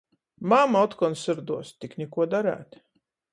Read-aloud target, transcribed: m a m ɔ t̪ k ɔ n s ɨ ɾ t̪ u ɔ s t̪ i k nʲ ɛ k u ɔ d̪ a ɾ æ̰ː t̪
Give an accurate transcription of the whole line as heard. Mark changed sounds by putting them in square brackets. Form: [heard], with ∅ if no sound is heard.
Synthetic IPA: m a m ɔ t̪ k ɔ n s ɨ ɾ [d̪] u ɔ s t̪ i k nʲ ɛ k u ɔ d̪ a ɾ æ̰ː t̪